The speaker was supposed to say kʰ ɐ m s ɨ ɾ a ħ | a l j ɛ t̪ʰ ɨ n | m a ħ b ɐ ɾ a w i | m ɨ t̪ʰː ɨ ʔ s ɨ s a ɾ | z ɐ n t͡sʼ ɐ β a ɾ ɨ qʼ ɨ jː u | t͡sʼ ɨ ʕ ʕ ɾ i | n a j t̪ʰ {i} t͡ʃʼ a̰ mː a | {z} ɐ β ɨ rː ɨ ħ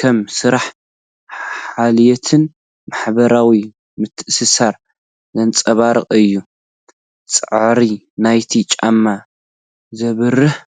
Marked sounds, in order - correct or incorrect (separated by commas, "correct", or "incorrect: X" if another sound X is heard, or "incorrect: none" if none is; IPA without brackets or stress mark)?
correct, correct